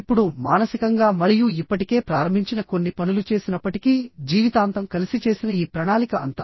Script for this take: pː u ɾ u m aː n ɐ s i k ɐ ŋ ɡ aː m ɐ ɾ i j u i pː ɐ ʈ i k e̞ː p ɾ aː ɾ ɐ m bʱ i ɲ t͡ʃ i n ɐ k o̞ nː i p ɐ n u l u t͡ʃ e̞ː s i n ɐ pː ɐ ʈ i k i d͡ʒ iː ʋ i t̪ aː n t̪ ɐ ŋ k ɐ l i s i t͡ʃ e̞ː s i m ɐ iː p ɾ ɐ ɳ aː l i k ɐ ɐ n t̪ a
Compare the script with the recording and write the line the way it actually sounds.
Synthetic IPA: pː u ɽ u m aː n ɐ s i k ɐ ŋ ɡ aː m ɐ ɾ i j u i pː ɐ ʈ i k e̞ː p ɾ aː ɾ ɐ m bʱ i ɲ t͡ʃ i n ɐ k o̞ nː i p ɐ n u l u t͡ʃ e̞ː s i n ɐ pː ɐ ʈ i k i d͡ʒ iː ʋ i t̪ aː n t̪ ɐ m k ɐ l i s i t͡ʃ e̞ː s i n ɐ iː p ɾ ɐ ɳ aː l i k ɐ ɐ n t̪ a